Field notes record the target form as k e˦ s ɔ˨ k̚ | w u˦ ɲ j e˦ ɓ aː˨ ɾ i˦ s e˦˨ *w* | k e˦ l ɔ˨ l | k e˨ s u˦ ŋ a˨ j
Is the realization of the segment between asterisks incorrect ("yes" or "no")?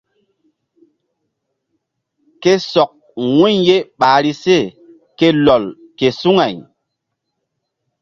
yes